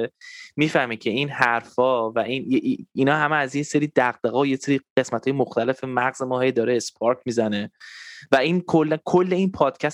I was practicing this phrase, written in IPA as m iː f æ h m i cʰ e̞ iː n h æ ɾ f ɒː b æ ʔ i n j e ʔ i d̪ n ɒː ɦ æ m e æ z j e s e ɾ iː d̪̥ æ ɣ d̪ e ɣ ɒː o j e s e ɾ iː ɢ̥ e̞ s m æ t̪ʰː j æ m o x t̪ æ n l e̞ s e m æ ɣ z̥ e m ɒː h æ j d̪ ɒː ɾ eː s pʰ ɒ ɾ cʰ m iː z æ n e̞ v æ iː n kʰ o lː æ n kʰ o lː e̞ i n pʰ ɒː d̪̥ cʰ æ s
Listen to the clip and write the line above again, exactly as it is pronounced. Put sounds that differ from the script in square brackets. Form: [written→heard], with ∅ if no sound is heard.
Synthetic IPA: m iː f æ h m i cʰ e̞ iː n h æ ɾ f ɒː [b→v] æ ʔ i n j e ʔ i [d̪→∅] n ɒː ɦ æ m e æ z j e s e ɾ iː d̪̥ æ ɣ d̪ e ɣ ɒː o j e s e ɾ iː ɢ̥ e̞ s m æ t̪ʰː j [æ→e] m o x t̪ æ [n→∅] l e̞ [s→f] e m æ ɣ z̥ e m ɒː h [æ→e] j d̪ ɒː ɾ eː s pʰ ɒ ɾ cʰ m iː z æ n e̞ v æ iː n kʰ o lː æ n kʰ o lː e̞ i n pʰ ɒː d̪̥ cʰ æ s